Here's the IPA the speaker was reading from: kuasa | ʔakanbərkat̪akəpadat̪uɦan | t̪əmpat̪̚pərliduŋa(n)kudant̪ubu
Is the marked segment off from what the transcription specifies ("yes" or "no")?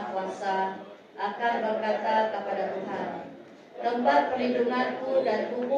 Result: no